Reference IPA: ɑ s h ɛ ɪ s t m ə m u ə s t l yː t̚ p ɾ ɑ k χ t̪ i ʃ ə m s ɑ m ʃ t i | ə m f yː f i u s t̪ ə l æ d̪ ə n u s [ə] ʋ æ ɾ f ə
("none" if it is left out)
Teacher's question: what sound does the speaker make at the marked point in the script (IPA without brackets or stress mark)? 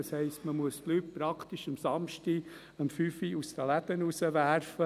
ə